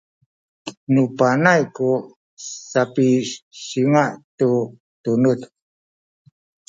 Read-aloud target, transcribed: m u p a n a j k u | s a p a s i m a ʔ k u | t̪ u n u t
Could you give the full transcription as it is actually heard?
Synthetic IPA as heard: n u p a n a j k u | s a p i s i ŋ a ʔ t u | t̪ u n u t